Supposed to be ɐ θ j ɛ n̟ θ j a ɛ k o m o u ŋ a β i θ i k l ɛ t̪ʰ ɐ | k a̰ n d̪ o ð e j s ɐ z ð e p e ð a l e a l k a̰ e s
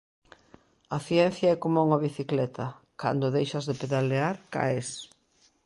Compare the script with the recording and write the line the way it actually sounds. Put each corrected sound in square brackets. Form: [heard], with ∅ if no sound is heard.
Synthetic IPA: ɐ θ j ɛ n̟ θ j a ɛ k o m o u ŋ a β i θ i k l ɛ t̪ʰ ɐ | k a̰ n d̪ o ð e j [ʃ] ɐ z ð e p e ð a l e a [ɾ] k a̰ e s